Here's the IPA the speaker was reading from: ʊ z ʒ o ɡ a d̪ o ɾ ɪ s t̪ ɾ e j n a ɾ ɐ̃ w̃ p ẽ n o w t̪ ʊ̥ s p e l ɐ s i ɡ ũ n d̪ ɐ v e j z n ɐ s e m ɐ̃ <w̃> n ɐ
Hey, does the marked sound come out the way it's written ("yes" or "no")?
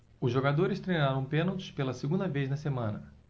no